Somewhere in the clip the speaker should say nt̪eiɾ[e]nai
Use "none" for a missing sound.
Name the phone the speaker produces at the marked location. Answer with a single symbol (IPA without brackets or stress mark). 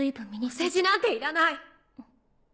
a